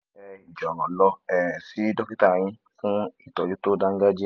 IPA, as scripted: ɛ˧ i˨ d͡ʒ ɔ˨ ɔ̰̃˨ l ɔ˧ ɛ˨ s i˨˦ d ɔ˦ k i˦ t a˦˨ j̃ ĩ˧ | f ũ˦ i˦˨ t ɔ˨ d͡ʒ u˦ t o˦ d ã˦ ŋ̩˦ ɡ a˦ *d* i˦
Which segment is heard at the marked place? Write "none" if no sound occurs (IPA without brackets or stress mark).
d͡ʒ